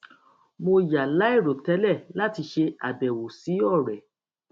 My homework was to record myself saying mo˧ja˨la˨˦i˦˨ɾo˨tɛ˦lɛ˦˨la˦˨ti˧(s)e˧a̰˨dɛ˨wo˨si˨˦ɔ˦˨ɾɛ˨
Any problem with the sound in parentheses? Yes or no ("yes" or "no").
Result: yes